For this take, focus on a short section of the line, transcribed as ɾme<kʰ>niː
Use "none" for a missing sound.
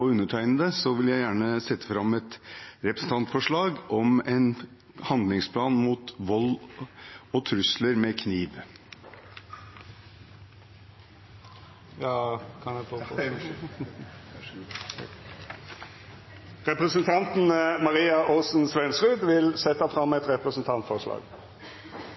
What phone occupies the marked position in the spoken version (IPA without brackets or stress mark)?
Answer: kʰ